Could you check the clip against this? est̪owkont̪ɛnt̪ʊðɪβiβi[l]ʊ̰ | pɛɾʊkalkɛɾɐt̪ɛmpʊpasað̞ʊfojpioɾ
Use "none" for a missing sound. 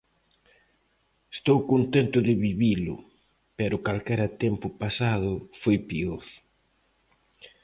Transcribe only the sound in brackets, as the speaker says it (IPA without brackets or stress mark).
l